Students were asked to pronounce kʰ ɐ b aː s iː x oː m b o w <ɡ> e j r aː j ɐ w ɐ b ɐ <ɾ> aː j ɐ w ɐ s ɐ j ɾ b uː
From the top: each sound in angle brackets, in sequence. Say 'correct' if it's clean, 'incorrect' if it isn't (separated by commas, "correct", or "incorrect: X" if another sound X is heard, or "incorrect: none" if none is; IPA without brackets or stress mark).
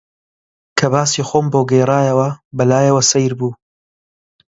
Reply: correct, incorrect: l